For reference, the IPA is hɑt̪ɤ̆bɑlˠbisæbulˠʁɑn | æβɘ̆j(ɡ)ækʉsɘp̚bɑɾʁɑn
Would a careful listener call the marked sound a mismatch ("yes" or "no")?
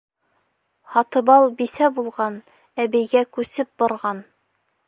no